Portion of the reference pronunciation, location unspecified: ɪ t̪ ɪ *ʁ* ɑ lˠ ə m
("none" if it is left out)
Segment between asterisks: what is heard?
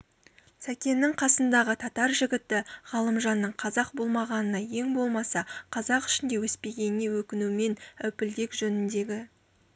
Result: ʁ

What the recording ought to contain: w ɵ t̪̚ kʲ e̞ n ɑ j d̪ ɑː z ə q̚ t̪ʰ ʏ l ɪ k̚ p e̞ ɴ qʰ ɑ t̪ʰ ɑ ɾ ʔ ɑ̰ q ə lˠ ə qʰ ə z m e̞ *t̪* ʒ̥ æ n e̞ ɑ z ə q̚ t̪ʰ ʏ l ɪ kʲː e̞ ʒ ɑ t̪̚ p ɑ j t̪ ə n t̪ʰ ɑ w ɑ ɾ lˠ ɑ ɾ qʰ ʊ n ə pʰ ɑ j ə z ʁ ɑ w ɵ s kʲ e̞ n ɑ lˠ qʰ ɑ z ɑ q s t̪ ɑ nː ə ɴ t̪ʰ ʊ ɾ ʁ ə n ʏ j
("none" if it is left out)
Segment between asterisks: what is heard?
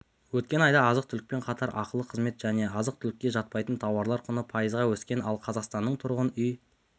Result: t̪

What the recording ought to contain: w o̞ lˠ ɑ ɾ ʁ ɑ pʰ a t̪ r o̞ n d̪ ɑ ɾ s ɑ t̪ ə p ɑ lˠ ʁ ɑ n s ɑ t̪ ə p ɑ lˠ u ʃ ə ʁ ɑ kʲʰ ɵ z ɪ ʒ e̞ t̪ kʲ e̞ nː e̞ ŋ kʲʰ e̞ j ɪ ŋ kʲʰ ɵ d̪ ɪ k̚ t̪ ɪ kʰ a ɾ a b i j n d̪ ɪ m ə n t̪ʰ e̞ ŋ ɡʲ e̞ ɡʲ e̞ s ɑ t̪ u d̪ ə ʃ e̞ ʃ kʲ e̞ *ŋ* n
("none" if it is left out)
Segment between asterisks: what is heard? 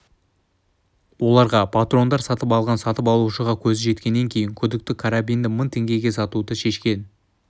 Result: none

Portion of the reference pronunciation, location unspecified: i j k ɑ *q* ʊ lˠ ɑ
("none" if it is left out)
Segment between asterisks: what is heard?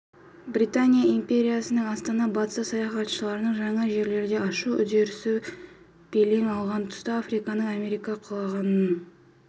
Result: qʰ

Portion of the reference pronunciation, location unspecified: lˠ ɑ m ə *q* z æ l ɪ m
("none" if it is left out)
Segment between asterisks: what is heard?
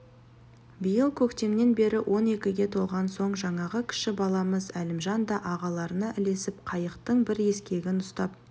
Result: none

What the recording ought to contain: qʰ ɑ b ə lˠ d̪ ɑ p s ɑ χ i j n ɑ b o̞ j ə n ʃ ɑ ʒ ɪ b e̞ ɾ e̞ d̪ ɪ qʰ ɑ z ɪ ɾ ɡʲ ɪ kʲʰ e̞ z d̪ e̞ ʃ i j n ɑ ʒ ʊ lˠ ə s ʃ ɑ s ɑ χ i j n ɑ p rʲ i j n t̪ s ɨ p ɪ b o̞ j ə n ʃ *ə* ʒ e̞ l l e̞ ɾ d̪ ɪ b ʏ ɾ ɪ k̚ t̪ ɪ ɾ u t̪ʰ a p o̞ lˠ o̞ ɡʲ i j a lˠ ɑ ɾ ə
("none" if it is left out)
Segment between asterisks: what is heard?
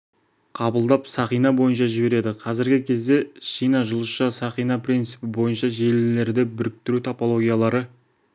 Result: ɑ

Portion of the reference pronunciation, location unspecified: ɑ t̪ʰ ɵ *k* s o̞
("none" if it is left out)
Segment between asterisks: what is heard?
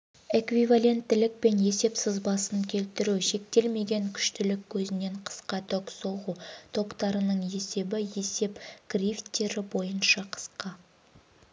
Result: k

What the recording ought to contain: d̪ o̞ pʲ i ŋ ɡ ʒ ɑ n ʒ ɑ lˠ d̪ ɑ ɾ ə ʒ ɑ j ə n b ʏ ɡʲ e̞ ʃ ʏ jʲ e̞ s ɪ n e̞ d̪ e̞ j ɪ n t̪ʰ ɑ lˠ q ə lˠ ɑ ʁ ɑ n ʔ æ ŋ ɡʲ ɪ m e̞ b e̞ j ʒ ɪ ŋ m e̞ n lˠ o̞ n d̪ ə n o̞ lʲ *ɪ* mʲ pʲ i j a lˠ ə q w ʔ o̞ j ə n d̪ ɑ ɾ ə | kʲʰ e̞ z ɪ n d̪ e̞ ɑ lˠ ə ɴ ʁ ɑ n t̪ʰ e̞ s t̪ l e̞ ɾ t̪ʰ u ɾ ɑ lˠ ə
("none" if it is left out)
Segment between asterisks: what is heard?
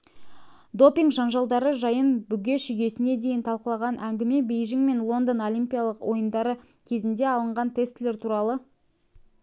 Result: i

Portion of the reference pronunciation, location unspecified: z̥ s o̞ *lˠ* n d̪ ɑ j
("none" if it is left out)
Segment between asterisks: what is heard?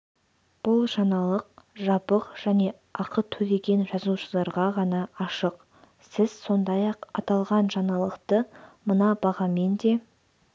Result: none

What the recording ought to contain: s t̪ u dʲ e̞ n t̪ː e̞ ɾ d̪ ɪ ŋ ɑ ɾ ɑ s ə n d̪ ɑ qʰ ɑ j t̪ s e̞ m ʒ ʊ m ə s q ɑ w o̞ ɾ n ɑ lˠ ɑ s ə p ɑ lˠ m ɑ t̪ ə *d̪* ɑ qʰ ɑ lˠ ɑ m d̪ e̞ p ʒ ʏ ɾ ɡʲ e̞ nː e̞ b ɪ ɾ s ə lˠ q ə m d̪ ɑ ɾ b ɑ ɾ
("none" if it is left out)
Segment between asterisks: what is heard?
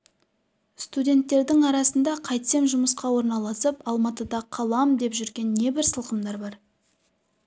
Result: d̪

